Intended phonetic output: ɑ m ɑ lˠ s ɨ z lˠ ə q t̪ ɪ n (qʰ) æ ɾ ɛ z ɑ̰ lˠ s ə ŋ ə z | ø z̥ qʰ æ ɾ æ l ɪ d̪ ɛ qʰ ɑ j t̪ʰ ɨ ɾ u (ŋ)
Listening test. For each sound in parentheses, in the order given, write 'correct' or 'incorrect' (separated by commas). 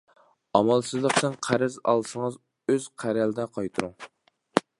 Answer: correct, correct